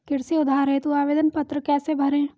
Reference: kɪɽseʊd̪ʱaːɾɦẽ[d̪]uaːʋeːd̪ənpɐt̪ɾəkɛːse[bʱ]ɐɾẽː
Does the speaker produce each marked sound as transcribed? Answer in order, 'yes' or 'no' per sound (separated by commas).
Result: no, yes